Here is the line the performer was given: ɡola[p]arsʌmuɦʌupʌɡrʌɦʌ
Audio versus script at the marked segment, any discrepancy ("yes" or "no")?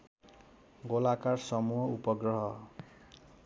yes